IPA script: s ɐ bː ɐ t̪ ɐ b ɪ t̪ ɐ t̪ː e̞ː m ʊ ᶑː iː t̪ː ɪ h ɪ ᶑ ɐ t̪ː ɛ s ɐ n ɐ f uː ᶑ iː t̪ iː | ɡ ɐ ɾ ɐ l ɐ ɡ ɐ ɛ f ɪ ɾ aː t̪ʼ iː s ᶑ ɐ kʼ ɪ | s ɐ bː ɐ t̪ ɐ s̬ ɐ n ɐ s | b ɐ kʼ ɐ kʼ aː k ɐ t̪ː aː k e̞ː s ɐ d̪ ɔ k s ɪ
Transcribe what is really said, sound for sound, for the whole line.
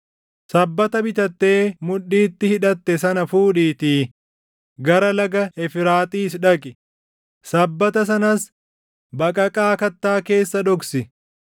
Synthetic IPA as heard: s ɐ bː ɐ t̪ ɐ b ɪ t̪ ɐ t̪ː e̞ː m ʊ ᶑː iː t̪ː ɪ h ɪ ᶑ ɐ t̪ː ɛ s ɐ n ɐ f uː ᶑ iː t̪ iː | ɡ ɐ ɾ ɐ l ɐ ɡ ɐ ɛ f ɪ ɾ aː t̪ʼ iː s ᶑ ɐ kʼ ɪ | s ɐ bː ɐ t̪ ɐ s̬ ɐ n ɐ s | b ɐ kʼ ɐ kʼ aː k ɐ t̪ː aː k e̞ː sː ɐ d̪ ɔ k s ɪ